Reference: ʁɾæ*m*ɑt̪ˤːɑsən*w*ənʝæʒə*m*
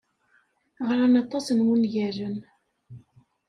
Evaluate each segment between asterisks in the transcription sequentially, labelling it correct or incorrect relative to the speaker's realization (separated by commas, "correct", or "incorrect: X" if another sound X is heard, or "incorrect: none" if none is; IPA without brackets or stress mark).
incorrect: n, correct, incorrect: n